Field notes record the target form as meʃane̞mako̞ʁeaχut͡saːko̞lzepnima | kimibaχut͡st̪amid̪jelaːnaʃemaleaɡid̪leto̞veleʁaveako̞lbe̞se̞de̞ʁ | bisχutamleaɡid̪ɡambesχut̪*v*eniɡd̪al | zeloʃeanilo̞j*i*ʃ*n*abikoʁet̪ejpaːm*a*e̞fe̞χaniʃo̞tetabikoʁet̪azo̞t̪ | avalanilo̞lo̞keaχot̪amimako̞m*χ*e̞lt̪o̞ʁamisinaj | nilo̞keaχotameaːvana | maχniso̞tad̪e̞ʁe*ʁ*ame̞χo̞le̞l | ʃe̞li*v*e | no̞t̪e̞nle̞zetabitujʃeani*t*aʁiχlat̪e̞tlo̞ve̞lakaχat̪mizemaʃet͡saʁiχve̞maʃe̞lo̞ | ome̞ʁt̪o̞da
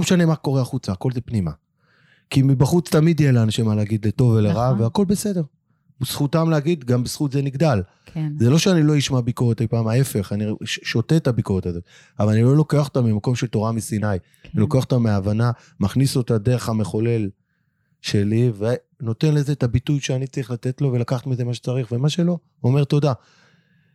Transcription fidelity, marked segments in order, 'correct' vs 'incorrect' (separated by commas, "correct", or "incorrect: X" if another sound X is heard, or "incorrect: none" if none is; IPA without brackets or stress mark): incorrect: z, correct, incorrect: m, correct, incorrect: ʃ, incorrect: χ, correct, incorrect: t͡s